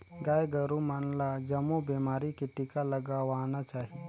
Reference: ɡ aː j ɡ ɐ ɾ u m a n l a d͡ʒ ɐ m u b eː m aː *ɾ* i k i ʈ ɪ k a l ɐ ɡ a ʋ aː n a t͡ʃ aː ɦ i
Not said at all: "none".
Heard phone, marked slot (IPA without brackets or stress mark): ɾ